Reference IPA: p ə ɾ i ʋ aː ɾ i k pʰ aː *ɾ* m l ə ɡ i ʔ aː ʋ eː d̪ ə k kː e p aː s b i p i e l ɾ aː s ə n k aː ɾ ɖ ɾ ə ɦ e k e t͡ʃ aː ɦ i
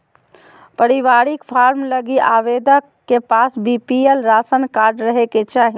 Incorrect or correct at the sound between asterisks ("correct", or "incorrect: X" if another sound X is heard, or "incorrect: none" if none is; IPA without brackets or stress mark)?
correct